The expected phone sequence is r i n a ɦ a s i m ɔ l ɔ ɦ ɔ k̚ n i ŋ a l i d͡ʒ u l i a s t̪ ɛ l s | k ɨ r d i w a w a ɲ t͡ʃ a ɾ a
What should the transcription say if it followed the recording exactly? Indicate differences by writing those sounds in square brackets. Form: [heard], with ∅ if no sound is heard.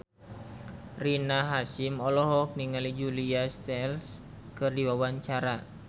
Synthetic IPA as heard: r i n a ɦ a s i m ɔ l ɔ ɦ ɔ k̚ n i ŋ a l i d͡ʒ u l i a s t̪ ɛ l s | k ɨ r d i w a w a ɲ t͡ʃ a ɾ a